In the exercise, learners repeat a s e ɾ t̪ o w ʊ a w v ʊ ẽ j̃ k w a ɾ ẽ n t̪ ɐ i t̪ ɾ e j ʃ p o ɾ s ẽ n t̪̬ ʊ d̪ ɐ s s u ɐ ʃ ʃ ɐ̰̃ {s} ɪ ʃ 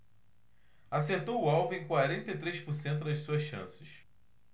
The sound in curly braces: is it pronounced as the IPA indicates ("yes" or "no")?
yes